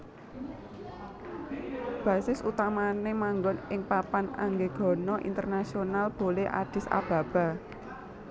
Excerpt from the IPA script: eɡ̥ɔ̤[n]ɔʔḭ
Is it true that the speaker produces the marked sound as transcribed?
yes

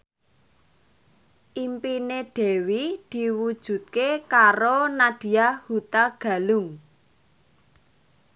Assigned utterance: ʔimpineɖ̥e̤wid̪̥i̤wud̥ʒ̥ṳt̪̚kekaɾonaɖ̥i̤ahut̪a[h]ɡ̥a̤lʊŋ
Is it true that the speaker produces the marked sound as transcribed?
no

